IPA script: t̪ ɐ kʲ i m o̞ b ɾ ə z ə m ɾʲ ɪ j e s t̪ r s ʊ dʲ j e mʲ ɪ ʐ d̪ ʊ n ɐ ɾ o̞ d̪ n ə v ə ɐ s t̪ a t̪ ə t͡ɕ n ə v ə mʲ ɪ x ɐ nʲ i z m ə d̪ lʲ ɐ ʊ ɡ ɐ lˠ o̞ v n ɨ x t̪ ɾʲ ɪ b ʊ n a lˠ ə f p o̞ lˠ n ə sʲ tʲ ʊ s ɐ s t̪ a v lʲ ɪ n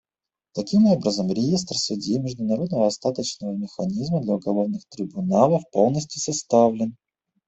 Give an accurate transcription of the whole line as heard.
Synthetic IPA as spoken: t̪ ɐ kʲ i m o̞ b ɾ ə z ə m ɾʲ ɪ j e s t̪ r s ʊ dʲ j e mʲ ɪ ʐ d̪ ʊ n ɐ ɾ o̞ d̪ n ə v ə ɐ s t̪ a t̪ ə t͡ɕ n ə v ə mʲ ɪ x ɐ nʲ i z m ə d̪ lʲ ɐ ʊ ɡ ɐ lˠ o̞ v n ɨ x t̪ ɾʲ ɪ b ʊ n a lˠ ə f p o̞ lˠ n ə sʲ tʲ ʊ s ɐ s t̪ a v lʲ ɪ n